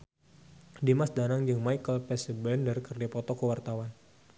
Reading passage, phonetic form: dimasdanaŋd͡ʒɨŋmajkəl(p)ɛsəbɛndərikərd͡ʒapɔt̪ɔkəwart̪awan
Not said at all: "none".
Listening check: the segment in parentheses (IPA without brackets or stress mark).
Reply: p